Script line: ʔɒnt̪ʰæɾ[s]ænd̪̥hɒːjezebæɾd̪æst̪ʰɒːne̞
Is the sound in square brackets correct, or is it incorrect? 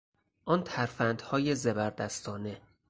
incorrect